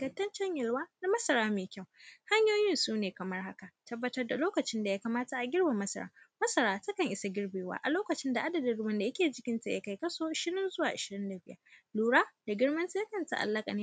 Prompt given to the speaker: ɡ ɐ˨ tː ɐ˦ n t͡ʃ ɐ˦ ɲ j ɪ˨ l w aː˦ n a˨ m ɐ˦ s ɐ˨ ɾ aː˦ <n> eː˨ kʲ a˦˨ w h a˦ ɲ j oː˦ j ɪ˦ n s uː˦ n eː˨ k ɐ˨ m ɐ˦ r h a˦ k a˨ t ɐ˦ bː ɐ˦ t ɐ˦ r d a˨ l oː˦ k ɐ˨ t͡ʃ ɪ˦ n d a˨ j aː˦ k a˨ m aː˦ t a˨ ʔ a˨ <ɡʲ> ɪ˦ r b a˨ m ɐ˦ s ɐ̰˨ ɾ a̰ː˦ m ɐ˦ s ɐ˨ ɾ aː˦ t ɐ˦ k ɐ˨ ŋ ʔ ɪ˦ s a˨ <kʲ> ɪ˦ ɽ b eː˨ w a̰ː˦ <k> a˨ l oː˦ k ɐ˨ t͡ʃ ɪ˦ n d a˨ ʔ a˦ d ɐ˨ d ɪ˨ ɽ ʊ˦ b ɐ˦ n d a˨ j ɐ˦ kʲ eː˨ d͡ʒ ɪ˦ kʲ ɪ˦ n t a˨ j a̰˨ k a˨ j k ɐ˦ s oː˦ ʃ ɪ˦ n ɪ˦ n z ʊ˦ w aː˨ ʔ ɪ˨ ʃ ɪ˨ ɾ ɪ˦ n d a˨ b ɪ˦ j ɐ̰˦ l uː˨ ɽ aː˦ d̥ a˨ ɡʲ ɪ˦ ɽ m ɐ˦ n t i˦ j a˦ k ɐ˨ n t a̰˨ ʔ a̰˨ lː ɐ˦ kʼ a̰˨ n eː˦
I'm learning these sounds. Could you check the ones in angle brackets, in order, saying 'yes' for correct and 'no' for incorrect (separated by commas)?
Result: no, yes, no, no